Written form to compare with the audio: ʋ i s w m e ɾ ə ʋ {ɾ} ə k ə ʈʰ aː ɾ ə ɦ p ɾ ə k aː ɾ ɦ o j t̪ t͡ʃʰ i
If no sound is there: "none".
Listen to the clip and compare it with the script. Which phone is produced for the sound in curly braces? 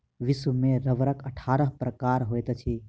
ɾ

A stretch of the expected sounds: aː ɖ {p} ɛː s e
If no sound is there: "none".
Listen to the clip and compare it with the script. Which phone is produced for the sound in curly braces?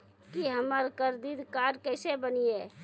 k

